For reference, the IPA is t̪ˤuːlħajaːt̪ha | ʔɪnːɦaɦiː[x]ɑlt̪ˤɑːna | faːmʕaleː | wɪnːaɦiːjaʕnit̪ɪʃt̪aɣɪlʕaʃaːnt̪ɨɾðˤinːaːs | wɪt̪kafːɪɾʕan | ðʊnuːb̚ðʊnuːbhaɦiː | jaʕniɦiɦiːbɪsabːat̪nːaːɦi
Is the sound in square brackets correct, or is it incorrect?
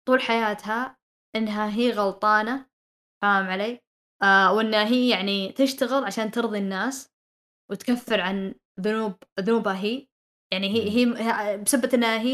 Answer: incorrect